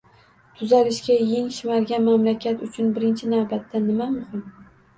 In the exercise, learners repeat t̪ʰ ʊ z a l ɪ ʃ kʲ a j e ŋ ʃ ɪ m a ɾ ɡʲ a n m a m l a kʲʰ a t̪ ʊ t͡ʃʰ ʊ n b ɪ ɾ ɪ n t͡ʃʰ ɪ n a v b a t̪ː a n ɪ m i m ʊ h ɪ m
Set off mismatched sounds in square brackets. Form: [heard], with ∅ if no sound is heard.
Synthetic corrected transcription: t̪ʰ ʊ z a l ɪ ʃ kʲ a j e ŋ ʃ ɪ m a ɾ ɡʲ a n m a m l a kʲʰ a t̪ ʊ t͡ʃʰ ʊ n b ɪ ɾ ɪ n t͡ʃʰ ɪ n a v b a t̪ː a n ɪ m [a] m ʊ h ɪ m